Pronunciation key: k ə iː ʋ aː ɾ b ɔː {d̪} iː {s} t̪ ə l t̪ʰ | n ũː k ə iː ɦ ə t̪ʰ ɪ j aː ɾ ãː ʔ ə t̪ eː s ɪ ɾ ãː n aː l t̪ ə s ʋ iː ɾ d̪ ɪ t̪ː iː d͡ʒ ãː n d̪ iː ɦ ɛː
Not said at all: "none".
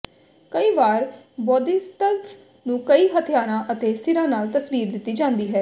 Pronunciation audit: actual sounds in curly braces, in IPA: d̪, s

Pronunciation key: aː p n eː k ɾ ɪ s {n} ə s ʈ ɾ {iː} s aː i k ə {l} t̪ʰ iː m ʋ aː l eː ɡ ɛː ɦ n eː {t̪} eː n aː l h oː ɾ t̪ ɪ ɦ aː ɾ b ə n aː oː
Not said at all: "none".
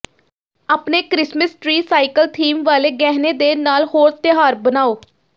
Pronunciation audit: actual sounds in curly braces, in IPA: m, iː, l, d̪

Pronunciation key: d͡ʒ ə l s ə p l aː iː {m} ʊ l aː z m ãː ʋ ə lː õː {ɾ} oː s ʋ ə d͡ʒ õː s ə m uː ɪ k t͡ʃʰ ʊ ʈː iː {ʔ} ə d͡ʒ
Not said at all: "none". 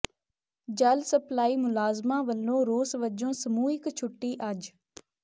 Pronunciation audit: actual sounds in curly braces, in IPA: m, ɾ, ʔ

